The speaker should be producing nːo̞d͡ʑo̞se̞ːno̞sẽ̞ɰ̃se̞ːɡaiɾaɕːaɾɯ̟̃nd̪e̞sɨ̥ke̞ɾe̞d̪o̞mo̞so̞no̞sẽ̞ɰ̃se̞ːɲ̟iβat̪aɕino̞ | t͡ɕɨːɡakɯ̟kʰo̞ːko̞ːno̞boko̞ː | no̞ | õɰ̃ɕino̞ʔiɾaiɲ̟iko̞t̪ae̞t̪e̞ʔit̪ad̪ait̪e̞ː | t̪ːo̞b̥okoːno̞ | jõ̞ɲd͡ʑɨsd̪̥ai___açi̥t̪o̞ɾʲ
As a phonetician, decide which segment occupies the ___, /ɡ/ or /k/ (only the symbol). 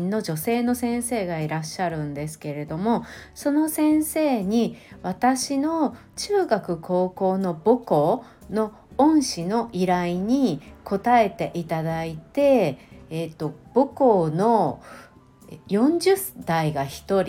ɡ